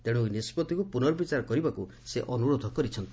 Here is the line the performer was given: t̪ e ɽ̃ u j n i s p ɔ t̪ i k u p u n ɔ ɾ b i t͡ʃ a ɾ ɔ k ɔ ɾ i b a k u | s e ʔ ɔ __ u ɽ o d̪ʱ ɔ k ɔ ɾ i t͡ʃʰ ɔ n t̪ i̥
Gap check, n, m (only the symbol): n